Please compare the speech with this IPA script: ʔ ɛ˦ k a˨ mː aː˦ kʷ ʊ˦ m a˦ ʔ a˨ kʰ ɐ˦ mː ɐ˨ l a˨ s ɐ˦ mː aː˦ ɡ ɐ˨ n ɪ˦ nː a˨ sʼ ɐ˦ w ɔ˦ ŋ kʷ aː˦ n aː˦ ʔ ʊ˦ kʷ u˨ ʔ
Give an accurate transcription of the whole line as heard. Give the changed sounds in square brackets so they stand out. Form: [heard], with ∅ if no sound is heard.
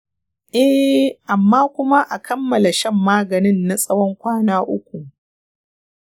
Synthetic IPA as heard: ʔ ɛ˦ [ʔ] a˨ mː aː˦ kʷ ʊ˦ m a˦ ʔ a˨ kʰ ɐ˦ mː ɐ˨ l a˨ [ʃ] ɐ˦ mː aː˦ ɡ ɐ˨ n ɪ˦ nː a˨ sʼ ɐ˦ w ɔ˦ ŋ kʷ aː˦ n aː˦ ʔ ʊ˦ kʷ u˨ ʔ